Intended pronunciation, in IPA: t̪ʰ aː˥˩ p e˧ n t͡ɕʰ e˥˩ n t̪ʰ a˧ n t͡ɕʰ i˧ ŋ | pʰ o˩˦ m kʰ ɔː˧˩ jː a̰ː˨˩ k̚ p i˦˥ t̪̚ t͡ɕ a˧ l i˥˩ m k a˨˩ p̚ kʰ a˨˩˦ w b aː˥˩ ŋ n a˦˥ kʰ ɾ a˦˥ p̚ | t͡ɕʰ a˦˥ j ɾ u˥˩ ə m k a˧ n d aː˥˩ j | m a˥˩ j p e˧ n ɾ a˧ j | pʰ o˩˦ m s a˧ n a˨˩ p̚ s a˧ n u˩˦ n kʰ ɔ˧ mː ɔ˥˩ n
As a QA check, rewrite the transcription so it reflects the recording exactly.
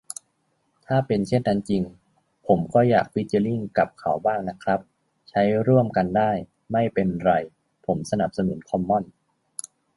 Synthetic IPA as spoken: t̪ʰ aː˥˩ p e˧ n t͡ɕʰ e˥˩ n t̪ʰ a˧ n t͡ɕ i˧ ŋ | pʰ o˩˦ m kʰ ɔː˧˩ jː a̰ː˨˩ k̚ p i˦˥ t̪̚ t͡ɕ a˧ l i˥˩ ŋ k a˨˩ p̚ kʰ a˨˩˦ w b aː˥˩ ŋ n a˦˥ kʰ ɾ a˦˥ p̚ | t͡ɕʰ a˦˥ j ɾ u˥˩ ə m k a˧ n d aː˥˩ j | m a˥˩ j p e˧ n ɾ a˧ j | pʰ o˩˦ m s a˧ n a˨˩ p̚ s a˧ n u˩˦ n kʰ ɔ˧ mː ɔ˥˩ n

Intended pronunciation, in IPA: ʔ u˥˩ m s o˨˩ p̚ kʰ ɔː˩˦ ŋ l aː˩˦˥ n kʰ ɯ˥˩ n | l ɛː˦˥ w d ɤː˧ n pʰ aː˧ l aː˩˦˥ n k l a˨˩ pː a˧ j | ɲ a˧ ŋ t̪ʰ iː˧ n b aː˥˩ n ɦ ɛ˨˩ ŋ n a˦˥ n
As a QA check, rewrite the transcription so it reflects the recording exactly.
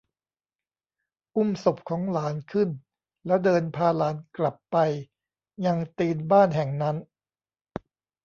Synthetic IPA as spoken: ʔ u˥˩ m s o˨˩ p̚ kʰ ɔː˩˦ ŋ l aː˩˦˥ n kʰ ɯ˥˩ n | l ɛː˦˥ w d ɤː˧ n pʰ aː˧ l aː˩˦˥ n k l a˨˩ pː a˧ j | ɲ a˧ ŋ t̪ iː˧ n b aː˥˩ n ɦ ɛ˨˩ ŋ n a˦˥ n

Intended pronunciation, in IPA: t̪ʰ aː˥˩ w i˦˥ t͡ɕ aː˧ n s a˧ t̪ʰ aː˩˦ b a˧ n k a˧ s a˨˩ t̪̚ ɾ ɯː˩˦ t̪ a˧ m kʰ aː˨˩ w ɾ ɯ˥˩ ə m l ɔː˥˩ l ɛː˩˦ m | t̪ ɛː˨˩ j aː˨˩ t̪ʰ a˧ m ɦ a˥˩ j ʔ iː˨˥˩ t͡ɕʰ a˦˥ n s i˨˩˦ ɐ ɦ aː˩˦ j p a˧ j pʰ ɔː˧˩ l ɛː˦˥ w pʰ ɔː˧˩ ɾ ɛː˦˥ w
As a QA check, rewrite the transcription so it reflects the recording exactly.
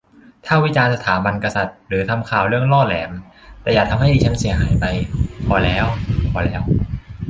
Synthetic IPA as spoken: t̪ʰ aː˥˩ w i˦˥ t͡ɕ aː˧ n s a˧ t̪ʰ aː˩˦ b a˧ n k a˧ s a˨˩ t̪̚ ɾ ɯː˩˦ t̪ʰ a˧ m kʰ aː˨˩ w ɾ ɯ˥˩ ə ŋ l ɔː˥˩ l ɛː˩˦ m | t̪ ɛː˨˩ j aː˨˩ t̪ʰ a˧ m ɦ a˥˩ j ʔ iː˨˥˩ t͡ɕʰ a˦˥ n s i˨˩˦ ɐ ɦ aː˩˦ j p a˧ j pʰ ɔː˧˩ l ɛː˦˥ w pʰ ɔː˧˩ l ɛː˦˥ w

